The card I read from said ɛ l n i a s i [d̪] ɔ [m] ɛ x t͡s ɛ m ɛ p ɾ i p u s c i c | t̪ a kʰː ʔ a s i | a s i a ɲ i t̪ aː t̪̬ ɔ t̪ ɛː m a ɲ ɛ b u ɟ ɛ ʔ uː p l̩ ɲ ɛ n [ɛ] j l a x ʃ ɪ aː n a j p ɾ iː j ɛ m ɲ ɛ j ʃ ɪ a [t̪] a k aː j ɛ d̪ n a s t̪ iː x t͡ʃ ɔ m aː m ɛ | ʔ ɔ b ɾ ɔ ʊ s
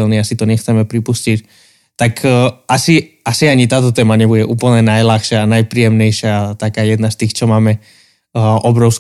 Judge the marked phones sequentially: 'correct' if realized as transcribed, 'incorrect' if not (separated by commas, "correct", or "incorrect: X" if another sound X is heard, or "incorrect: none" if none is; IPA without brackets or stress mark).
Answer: incorrect: t̪, incorrect: ɲ, incorrect: a, correct